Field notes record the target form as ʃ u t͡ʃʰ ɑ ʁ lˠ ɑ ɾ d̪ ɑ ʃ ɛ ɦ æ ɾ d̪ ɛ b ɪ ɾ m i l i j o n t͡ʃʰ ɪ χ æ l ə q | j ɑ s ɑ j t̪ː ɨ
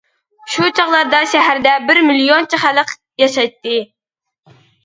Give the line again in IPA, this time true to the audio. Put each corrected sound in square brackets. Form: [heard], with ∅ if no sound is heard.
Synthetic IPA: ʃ u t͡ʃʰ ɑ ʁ lˠ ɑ ɾ d̪ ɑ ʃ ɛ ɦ æ ɾ d̪ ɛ b ɪ ɾ m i l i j o n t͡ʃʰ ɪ χ æ l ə q | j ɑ [ʃ] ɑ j t̪ː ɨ